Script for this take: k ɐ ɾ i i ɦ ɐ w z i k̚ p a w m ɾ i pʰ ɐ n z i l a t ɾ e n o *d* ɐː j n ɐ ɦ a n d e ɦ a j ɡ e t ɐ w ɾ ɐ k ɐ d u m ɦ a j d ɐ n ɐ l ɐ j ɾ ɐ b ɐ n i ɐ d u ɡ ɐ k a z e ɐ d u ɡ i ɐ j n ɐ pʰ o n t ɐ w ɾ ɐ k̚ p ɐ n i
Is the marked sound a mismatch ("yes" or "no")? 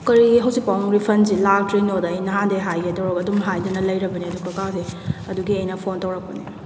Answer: no